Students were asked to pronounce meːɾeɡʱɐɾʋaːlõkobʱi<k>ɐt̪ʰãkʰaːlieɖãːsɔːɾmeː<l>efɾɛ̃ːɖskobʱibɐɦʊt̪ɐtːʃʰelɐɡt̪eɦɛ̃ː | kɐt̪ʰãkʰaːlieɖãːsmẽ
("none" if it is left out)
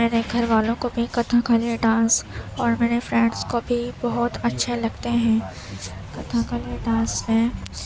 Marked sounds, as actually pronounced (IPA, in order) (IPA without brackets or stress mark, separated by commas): k, ɾ